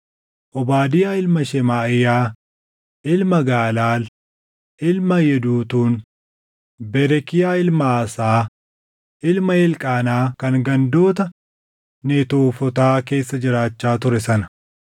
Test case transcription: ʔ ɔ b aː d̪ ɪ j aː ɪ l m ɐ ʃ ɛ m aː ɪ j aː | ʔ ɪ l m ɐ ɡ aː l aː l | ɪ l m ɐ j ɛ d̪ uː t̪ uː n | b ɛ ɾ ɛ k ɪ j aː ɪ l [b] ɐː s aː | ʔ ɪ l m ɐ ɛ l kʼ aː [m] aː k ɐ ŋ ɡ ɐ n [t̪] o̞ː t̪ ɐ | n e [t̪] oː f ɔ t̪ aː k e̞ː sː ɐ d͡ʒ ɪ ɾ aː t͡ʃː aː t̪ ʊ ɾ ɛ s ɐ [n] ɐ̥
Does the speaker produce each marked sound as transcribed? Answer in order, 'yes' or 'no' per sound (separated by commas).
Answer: no, no, no, yes, yes